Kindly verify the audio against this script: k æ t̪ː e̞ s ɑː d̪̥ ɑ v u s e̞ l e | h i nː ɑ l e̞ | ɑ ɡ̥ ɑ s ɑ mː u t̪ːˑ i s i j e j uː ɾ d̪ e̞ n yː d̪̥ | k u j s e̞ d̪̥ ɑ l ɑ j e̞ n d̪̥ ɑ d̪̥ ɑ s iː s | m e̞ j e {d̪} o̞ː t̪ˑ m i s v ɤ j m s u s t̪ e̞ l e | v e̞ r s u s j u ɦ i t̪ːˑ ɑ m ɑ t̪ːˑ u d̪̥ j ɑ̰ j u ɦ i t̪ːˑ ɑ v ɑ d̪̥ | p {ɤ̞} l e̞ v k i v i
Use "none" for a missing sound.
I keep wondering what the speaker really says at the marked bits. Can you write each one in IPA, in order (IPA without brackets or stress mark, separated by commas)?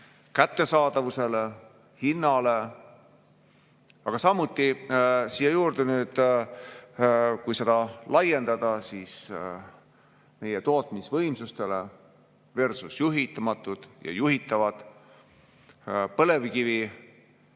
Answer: t̪, ɤ̞